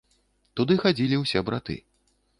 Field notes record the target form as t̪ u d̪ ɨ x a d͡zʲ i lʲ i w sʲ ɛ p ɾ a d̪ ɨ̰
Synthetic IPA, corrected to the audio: t̪ u d̪ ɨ x a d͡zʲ i lʲ i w sʲ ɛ b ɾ a t̪ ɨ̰